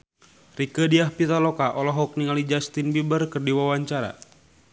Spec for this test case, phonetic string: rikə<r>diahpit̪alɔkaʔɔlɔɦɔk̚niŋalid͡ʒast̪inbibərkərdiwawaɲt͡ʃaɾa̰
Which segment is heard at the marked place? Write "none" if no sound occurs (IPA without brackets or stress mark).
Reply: none